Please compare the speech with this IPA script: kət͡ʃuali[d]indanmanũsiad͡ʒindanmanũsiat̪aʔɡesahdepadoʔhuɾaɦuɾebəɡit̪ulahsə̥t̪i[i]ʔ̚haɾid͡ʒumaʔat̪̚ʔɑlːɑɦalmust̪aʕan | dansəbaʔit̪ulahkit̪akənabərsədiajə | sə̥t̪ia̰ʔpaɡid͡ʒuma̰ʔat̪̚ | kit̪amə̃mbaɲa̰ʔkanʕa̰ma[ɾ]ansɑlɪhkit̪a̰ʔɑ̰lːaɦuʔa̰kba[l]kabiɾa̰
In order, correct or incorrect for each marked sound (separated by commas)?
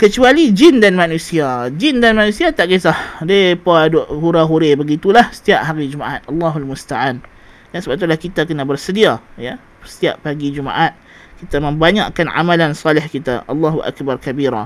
incorrect, incorrect, incorrect, incorrect